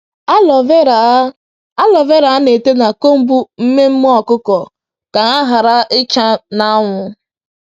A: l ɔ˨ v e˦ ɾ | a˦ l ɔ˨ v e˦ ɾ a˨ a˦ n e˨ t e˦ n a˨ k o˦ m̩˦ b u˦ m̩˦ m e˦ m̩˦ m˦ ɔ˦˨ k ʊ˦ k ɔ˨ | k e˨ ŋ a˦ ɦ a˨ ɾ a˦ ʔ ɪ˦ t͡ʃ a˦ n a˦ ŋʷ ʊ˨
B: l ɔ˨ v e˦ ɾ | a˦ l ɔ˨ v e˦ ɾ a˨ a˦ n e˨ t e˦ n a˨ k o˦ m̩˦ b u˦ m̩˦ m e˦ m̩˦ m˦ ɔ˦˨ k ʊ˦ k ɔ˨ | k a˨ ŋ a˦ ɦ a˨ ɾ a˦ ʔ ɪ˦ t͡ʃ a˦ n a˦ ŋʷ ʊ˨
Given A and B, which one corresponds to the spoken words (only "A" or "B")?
B